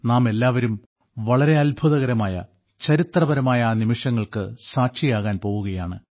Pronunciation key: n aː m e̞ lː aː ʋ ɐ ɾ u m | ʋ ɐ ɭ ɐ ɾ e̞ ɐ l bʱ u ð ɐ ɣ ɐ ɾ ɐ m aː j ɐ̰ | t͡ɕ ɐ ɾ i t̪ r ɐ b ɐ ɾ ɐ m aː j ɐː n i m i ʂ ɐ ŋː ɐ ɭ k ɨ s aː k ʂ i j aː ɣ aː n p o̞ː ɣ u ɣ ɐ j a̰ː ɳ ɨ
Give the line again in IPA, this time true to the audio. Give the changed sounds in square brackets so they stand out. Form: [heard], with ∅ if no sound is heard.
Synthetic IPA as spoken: n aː m e̞ lː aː ʋ ɐ ɾ u m | ʋ ɐ ɭ ɐ ɾ e̞ ɐ l bʱ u ð ɐ ɣ ɐ ɾ ɐ m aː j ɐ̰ | t͡ɕ ɐ ɾ i t̪ r ɐ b ɐ ɾ ɐ m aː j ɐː n i m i ʂ ɐ ŋː ɐ ɭ k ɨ s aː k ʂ i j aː ɣ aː n p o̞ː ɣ u ɣ ɐ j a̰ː ɳ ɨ